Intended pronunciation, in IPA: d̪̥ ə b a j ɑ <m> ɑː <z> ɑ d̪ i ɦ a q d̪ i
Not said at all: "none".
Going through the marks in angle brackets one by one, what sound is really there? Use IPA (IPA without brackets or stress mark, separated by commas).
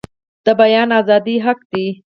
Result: n, z